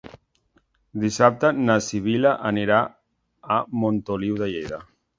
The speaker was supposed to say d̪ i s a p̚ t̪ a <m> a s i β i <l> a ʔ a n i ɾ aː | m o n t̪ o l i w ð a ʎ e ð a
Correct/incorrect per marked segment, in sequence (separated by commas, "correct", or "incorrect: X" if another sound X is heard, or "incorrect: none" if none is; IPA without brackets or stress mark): incorrect: n, correct